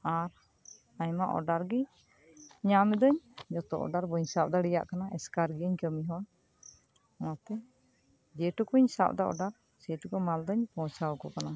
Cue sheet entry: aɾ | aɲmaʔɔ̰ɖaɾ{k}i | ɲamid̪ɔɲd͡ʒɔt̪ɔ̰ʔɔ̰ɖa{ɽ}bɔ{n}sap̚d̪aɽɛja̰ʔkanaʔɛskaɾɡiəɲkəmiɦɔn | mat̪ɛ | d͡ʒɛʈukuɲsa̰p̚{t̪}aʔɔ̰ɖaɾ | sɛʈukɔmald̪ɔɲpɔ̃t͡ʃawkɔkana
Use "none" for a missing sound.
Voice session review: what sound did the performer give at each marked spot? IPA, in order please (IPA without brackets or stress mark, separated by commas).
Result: ɡ, ɾ, ɲ, d̪